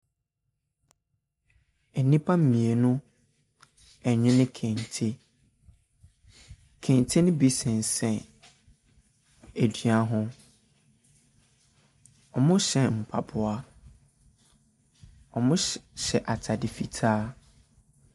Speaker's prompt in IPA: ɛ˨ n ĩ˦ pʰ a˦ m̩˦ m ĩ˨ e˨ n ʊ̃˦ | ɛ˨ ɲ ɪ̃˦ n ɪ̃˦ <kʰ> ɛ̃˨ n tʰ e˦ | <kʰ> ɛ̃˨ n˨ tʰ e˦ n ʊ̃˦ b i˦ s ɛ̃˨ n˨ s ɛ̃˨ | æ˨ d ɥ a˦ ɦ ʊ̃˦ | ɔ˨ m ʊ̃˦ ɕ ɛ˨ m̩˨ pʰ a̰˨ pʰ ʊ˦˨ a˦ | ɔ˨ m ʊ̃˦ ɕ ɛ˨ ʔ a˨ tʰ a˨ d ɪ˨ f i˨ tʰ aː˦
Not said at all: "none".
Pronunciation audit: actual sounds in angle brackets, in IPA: kʰ, kʰ

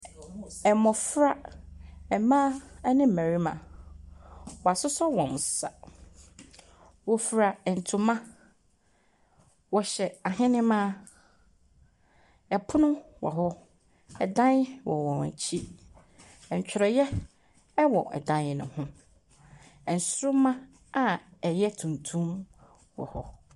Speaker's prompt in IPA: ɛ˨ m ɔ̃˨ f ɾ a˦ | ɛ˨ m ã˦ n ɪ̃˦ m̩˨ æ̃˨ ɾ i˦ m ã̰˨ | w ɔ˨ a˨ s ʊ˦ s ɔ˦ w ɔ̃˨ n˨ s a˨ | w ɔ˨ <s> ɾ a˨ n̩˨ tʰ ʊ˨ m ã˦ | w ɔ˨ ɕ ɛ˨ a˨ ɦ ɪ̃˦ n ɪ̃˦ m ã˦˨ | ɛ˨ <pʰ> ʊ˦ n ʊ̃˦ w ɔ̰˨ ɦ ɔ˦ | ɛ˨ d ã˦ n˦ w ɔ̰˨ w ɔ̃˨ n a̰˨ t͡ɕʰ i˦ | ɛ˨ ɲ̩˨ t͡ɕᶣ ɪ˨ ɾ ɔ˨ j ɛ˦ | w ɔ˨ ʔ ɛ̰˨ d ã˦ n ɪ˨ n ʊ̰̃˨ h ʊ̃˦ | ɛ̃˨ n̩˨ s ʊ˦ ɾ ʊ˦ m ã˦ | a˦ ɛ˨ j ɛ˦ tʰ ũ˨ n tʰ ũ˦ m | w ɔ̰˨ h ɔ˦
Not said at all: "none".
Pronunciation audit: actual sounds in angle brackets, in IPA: f, pʰ

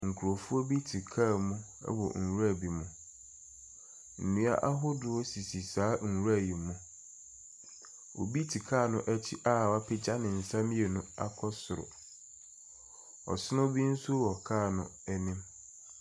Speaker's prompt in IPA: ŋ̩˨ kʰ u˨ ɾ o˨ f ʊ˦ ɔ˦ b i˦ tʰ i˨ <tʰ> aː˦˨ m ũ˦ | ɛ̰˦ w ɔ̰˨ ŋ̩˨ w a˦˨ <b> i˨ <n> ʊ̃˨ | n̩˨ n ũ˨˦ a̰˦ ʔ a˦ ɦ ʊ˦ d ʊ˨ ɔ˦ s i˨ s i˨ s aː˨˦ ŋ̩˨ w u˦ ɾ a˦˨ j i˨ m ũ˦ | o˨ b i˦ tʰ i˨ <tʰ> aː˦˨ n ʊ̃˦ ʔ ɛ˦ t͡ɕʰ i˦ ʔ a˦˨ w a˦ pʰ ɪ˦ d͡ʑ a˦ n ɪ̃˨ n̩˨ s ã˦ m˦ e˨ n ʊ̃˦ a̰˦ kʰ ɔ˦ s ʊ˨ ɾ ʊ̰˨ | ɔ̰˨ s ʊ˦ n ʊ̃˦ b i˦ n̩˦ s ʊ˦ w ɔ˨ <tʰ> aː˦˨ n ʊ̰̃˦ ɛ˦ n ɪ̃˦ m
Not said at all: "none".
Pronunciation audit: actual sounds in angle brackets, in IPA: kʰ, b, m, kʰ, kʰ

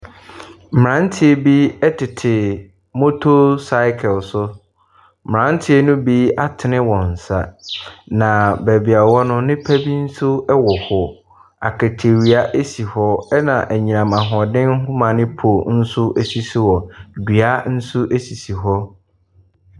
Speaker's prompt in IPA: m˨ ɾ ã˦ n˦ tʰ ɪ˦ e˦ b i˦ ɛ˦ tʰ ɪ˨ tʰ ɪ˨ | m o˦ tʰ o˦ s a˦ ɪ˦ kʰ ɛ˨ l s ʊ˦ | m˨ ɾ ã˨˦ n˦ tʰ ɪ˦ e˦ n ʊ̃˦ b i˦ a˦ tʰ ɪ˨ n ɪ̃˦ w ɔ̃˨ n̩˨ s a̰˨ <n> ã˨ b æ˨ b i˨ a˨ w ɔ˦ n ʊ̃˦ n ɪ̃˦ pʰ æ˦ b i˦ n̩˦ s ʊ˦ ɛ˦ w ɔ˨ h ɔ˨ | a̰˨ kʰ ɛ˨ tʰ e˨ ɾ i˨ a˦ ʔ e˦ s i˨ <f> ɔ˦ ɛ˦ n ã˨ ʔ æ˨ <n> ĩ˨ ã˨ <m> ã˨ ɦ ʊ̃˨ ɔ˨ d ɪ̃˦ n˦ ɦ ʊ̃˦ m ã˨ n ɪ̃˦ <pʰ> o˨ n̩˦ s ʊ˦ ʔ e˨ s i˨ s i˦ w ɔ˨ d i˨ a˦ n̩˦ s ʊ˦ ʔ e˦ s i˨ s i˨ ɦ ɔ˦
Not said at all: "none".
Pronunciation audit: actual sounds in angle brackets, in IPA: n, h, ɲ, m, pʰ

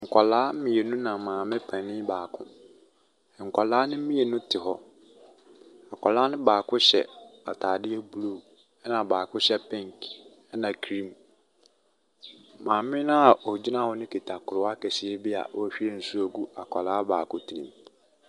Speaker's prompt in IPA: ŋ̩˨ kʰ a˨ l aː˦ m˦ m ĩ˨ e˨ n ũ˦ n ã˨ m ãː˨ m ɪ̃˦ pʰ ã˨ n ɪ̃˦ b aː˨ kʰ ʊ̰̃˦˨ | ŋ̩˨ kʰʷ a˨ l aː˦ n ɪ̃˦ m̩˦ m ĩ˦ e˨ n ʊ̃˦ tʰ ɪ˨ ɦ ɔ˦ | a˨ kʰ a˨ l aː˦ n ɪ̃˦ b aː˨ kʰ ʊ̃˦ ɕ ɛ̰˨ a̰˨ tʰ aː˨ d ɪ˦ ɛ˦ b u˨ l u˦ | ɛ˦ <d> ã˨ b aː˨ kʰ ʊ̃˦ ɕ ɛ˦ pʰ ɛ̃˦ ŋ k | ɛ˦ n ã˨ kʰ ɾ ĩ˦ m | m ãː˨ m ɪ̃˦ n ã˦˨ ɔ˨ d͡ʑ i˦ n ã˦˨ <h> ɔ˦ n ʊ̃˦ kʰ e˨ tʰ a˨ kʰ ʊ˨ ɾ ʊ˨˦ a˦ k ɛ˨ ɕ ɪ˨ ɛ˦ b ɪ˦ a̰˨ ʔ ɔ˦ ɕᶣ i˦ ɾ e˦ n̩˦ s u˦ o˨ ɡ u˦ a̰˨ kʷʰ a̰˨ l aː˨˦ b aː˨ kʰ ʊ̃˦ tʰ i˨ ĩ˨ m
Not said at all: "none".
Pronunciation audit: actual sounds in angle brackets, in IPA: n, h

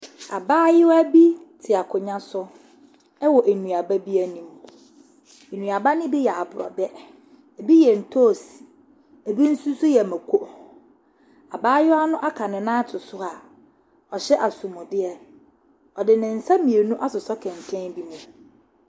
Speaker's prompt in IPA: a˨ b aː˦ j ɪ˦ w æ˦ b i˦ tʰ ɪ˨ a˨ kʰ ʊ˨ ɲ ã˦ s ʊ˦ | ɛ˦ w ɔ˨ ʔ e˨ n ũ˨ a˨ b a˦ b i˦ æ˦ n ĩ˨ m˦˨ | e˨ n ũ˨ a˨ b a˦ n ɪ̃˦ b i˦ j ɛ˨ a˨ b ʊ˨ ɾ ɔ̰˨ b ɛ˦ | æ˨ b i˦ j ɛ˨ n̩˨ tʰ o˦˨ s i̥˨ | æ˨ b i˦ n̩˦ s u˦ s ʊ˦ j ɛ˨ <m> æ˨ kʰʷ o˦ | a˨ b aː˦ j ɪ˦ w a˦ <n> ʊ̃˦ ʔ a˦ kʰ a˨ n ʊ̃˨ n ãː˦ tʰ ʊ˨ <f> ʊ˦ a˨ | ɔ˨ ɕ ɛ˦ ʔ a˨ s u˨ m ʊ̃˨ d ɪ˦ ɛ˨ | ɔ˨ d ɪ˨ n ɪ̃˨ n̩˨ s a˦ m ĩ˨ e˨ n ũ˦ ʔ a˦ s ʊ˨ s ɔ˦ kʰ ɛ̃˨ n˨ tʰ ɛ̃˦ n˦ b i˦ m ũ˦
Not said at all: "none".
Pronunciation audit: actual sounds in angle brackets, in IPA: m, n, s

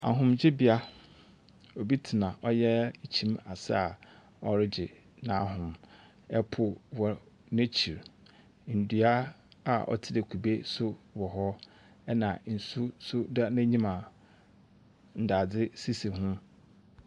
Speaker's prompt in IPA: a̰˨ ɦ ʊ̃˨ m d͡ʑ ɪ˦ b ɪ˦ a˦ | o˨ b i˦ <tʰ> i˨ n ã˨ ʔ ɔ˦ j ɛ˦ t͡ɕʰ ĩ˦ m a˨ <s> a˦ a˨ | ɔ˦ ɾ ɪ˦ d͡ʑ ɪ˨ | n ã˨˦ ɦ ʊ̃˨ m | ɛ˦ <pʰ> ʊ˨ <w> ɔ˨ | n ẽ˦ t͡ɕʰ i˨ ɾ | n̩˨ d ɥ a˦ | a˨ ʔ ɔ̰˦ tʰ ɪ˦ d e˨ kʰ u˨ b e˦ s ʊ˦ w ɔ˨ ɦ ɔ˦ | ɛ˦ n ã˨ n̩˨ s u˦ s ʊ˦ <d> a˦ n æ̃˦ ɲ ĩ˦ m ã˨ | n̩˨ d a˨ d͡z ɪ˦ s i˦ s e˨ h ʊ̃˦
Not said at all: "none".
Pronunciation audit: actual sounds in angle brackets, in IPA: tʰ, s, pʰ, w, d

